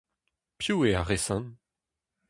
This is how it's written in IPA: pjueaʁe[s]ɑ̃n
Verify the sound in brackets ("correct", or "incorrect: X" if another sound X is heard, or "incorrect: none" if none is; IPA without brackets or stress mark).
correct